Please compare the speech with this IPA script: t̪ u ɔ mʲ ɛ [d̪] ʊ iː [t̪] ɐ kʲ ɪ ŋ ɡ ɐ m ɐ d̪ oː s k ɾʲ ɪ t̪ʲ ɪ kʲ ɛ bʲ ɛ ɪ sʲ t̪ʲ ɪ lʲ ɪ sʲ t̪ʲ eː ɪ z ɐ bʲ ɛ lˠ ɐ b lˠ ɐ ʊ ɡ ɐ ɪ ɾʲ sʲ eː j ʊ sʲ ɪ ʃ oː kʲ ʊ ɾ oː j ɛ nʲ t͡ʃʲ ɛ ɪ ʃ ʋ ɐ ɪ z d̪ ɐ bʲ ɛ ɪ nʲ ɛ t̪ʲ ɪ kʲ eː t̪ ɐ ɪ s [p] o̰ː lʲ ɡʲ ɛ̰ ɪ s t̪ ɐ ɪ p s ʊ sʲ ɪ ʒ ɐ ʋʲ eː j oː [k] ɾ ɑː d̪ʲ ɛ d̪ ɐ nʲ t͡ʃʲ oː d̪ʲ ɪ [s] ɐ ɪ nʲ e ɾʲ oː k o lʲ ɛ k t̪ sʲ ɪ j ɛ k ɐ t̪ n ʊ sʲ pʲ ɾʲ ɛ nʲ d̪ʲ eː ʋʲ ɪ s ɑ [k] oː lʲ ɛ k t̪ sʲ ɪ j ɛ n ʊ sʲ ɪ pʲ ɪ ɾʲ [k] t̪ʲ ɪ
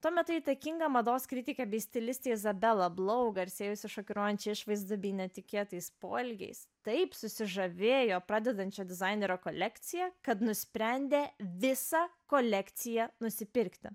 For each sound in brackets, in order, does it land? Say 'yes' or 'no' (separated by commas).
no, yes, yes, no, no, yes, yes